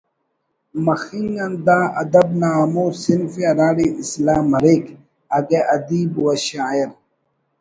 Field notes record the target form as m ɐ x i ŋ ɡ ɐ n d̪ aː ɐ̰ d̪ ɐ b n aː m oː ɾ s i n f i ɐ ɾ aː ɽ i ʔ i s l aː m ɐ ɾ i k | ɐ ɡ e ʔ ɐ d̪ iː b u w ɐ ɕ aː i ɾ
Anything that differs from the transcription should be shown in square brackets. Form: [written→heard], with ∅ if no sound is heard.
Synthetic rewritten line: m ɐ x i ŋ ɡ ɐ n d̪ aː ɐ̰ d̪ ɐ b n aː m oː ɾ s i n f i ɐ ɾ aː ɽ i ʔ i s l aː m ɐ ɾ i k | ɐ ɡ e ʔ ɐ d̪ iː b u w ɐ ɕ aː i ɾ

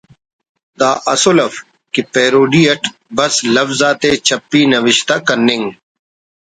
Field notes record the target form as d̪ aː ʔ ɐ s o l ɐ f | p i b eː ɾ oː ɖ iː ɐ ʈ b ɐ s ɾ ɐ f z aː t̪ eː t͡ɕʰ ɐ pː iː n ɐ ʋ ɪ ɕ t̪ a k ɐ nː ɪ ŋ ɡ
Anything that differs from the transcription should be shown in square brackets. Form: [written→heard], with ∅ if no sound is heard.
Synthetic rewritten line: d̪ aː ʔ ɐ s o l ɐ f | [p→k] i [b→p] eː ɾ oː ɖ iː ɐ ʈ b ɐ s [ɾ→l] ɐ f z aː t̪ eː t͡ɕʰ ɐ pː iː n ɐ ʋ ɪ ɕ t̪ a k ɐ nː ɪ ŋ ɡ

